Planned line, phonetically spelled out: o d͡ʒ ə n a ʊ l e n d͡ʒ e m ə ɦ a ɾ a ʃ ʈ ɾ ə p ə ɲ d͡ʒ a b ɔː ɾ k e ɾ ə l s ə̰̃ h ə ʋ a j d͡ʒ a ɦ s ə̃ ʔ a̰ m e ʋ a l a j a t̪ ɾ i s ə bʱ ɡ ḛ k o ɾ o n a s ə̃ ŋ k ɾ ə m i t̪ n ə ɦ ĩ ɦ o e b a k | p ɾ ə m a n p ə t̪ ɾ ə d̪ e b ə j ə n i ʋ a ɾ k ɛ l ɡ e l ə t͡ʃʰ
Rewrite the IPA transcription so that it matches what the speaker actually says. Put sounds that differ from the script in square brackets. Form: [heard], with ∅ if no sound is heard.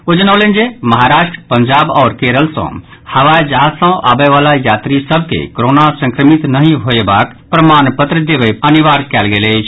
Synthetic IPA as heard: o d͡ʒ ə n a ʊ l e n d͡ʒ e m ə ɦ a ɾ a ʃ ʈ ɾ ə p ə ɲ d͡ʒ a b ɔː ɾ k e ɾ ə l s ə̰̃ h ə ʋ a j d͡ʒ a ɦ s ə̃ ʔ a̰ [b] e ʋ a l a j a t̪ ɾ i s ə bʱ [k] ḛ k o ɾ o n a s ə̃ ŋ k ɾ ə m i t̪ n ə ɦ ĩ ɦ o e b a k | p ɾ ə m a n p ə t̪ ɾ ə d̪ e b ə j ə n i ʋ a ɾ k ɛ l ɡ e l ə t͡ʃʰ

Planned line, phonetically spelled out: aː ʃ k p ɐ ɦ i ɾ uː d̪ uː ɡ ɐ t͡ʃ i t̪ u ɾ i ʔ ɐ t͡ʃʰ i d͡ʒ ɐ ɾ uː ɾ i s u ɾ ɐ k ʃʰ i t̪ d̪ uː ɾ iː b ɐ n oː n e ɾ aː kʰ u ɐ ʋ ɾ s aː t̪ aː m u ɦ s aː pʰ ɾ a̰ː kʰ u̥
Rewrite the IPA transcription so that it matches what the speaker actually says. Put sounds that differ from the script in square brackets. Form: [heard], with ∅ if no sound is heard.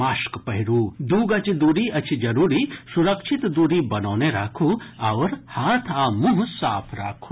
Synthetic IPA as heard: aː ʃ k p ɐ ɦ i ɾ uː d̪ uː ɡ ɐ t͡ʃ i [d̪] u ɾ i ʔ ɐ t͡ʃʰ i d͡ʒ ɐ ɾ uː ɾ i s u ɾ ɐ k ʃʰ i t̪ d̪ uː ɾ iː b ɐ n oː n e ɾ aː kʰ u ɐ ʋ ɾ [h] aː [t̪ʰ] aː m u ɦ s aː pʰ ɾ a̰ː kʰ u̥

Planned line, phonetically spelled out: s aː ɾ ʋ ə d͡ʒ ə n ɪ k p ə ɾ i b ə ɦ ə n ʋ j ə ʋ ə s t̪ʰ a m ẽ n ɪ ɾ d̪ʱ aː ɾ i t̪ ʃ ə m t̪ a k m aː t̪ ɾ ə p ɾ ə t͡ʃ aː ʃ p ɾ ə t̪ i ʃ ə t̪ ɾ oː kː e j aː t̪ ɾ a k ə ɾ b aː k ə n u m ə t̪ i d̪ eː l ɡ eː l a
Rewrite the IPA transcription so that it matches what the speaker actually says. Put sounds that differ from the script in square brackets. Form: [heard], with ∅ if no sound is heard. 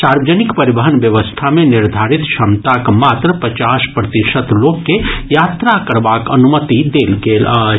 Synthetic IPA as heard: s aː ɾ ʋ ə d͡ʒ ə n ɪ k p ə ɾ i b ə ɦ ə n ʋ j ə ʋ ə s t̪ʰ a m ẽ n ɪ ɾ d̪ʱ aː ɾ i t̪ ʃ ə m t̪ a k m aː t̪ ɾ ə p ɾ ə t͡ʃ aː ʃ p ɾ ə t̪ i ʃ ə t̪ [l] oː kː e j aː t̪ ɾ a k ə ɾ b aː k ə n u m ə t̪ i d̪ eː l ɡ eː l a

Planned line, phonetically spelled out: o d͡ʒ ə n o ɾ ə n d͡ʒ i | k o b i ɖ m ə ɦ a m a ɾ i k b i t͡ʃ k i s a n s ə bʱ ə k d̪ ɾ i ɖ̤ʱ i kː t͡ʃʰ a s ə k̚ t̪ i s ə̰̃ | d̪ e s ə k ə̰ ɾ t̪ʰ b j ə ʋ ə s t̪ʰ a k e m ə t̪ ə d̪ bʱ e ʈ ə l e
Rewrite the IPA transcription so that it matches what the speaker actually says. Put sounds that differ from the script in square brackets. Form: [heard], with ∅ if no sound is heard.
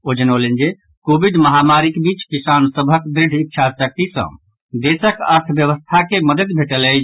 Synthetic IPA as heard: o d͡ʒ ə n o [l] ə n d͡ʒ [e] | k o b i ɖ m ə ɦ a m a ɾ i k b i t͡ʃ k i s a n s ə bʱ ə k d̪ ɾ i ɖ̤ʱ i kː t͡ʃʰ a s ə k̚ t̪ i s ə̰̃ | d̪ e s ə k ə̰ ɾ t̪ʰ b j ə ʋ ə s t̪ʰ a k e m ə [d̪] ə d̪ bʱ e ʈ ə l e

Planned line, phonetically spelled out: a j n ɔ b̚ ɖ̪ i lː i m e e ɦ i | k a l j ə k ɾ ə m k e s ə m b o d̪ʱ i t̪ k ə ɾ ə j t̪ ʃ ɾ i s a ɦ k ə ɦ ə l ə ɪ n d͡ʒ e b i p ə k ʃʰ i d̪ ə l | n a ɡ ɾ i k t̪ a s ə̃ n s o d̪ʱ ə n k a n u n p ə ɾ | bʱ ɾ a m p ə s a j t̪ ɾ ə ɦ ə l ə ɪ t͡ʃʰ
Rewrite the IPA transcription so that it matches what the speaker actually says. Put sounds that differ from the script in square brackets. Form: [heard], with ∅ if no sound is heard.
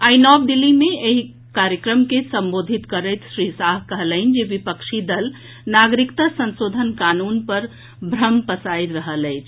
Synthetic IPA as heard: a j n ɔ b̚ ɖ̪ i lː i m e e ɦ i | k a [ɾ] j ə k ɾ ə m k e s ə m b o d̪ʱ i t̪ k ə ɾ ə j t̪ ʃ ɾ i s a ɦ k ə ɦ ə l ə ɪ n d͡ʒ e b i p ə k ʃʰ i d̪ ə l | n a ɡ ɾ i k t̪ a s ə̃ n s o d̪ʱ ə n k a n u n p ə ɾ | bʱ ɾ [ə] m p ə s a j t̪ ɾ ə ɦ ə l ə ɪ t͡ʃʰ

